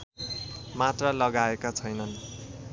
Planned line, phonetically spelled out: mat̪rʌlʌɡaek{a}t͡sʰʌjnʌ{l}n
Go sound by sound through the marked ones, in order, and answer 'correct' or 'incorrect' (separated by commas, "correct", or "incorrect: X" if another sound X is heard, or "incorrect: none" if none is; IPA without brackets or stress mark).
correct, incorrect: none